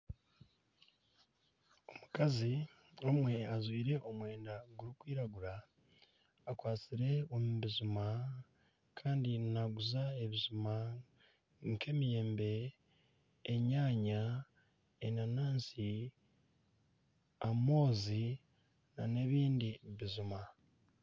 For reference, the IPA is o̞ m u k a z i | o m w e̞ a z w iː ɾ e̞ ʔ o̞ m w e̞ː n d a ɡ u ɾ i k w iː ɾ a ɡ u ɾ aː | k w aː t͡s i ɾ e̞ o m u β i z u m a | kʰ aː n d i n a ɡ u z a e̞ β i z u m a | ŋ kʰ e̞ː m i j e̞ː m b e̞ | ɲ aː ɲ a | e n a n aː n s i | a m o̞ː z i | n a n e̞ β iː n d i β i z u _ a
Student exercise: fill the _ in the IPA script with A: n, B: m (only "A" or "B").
B